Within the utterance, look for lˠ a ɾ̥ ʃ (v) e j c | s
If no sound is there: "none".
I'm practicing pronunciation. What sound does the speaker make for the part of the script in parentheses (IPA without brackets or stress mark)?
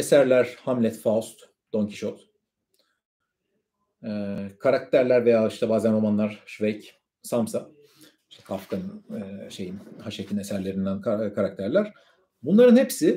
v